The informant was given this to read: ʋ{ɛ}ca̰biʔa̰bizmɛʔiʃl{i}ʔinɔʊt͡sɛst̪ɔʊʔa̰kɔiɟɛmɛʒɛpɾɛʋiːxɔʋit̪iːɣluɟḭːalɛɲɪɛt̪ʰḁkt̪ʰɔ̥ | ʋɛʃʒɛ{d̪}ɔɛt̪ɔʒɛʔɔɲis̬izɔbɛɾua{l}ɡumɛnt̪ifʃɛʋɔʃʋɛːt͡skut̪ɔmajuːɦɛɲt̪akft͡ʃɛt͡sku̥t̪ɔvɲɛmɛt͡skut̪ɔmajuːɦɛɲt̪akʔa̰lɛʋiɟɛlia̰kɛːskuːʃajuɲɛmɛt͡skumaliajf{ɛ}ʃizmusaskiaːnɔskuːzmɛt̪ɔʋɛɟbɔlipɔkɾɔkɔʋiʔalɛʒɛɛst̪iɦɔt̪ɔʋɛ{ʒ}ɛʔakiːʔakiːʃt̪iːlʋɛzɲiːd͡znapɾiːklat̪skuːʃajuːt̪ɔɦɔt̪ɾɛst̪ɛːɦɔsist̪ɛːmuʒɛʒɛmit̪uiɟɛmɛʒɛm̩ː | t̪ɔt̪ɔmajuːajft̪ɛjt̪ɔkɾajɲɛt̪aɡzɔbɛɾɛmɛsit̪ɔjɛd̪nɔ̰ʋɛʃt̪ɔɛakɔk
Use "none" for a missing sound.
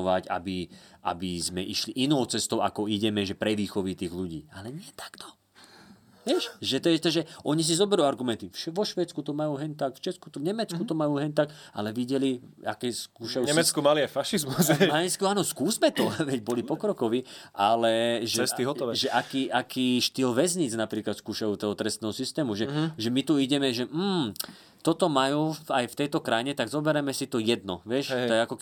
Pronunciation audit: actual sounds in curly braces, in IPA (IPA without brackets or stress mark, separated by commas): a, i, t̪, ɾ, a, ʒ